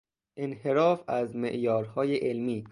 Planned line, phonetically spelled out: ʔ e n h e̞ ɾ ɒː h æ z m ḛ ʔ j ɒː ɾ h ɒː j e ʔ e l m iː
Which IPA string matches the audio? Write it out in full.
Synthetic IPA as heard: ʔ e n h e̞ ɾ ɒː f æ z m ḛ ʔ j ɒː ɾ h ɒː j e ʔ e l m iː